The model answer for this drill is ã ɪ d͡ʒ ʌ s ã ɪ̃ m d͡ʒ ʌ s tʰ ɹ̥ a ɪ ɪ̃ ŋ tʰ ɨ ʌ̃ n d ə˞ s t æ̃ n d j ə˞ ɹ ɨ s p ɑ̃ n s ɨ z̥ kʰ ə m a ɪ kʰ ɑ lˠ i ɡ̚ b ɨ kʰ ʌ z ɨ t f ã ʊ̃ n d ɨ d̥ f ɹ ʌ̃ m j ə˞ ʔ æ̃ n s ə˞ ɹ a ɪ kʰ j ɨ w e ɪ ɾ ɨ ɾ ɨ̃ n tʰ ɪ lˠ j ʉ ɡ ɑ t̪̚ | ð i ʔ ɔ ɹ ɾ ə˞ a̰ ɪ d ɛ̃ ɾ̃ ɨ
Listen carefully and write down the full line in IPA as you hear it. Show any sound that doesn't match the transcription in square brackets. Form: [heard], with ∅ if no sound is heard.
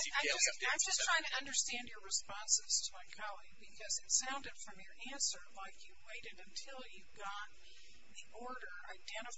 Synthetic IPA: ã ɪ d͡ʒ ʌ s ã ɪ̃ m d͡ʒ ʌ s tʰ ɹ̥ a ɪ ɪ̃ ŋ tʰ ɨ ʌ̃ n d ə˞ s t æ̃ n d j ə˞ ɹ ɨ s p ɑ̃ n s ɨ z̥ [tʰ] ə m a ɪ kʰ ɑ lˠ i ɡ̚ b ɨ kʰ ʌ z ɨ t [s] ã ʊ̃ n d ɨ d̥ f ɹ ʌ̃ m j ə˞ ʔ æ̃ n s ə˞ [l] a ɪ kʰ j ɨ w e ɪ ɾ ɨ ɾ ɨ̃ n tʰ ɪ lˠ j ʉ ɡ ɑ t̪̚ | ð i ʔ ɔ ɹ ɾ ə˞ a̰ ɪ d ɛ̃ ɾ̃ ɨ